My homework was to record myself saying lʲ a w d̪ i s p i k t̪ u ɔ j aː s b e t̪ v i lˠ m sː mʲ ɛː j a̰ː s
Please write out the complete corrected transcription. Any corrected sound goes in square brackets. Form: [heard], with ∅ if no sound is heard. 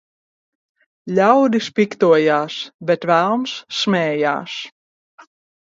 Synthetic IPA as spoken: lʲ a w d̪ i s p i k t̪ u ɔ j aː s b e t̪ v [æ] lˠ m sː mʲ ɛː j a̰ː s